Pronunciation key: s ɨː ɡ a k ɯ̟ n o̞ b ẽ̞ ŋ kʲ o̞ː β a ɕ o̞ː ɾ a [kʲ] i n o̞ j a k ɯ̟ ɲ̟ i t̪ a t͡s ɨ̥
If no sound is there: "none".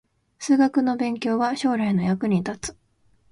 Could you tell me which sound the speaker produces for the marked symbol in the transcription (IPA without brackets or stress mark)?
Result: none